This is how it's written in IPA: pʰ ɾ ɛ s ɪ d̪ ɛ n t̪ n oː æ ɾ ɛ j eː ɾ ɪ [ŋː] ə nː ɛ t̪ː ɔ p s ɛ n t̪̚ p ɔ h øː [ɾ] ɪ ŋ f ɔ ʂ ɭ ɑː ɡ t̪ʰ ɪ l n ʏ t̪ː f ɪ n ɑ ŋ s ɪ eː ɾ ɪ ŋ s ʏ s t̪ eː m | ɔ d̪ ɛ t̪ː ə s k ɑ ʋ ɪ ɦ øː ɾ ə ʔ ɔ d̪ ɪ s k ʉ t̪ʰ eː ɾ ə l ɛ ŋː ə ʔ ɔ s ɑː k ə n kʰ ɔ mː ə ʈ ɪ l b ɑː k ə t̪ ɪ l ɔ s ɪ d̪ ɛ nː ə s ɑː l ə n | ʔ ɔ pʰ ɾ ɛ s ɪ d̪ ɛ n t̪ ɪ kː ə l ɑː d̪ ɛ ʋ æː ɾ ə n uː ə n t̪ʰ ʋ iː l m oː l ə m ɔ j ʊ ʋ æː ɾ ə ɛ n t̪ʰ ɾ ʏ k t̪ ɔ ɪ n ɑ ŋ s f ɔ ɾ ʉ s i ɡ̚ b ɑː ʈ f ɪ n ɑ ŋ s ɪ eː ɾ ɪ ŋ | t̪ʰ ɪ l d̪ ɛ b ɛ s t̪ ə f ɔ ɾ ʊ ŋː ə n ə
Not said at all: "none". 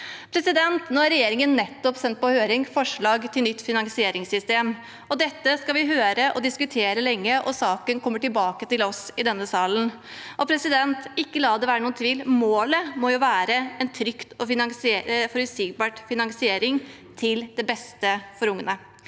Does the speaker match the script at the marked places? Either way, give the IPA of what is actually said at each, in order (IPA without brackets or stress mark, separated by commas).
ŋ, ɾ